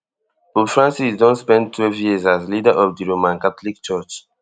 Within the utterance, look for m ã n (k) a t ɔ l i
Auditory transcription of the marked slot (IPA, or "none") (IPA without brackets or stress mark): k